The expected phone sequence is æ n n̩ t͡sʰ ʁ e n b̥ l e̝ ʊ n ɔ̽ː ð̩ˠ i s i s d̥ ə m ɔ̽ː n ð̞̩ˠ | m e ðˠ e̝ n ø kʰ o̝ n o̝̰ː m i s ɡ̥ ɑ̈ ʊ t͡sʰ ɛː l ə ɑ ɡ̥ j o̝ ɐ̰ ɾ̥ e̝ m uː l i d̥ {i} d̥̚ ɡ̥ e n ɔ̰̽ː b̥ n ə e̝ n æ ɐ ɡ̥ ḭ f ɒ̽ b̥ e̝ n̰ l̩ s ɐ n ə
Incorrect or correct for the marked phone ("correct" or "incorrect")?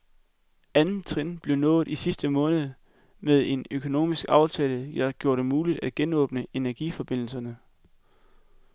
incorrect